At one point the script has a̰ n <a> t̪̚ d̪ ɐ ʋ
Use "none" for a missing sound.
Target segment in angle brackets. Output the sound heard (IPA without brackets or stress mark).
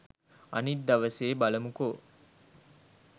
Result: i